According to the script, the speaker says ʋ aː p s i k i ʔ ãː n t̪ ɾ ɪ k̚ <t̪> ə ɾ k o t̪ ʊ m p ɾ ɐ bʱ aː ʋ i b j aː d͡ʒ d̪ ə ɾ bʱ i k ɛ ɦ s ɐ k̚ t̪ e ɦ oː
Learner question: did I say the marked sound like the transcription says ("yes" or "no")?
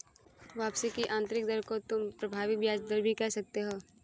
no